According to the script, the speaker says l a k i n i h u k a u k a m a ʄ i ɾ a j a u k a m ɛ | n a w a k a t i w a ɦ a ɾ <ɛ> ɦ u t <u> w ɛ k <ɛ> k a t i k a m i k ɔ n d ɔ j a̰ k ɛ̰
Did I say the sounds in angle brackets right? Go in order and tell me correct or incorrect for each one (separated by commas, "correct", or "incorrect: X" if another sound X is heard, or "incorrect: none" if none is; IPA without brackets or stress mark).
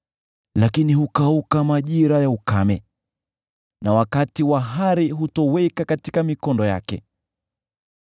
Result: incorrect: i, incorrect: ɔ, incorrect: a